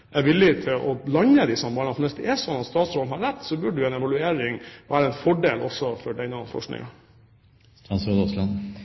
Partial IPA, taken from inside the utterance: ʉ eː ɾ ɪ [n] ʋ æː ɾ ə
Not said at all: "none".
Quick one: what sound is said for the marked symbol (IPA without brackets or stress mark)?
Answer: ŋ